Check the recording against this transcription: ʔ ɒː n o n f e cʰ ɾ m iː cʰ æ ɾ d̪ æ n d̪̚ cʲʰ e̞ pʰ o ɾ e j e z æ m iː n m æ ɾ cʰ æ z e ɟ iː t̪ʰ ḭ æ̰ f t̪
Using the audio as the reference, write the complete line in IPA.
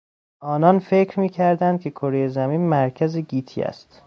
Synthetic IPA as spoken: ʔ ɒː n ɒ n f e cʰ ɾ m iː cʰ æ ɾ d̪ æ n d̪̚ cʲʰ e̞ kʰ o ɾ e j e z æ m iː n m æ ɾ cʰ æ z e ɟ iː t̪ʰ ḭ æ̰ s t̪